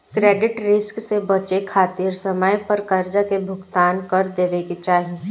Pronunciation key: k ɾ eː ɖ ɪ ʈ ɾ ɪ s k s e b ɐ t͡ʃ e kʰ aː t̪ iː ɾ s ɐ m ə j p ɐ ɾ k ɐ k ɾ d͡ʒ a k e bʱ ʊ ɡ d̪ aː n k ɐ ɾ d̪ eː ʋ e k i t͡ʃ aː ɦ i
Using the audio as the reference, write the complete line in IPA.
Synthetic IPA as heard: k ɾ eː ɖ ɪ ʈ ɾ ɪ s k s e b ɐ t͡ʃ e kʰ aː t̪ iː ɾ s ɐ m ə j p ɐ ɾ k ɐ ɾ d͡ʒ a k e bʱ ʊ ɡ t̪ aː n k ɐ ɾ d̪ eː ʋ e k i t͡ʃ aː ɦ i